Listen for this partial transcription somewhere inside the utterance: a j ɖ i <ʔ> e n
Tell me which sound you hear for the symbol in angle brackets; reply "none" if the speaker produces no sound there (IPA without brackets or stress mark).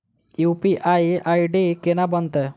k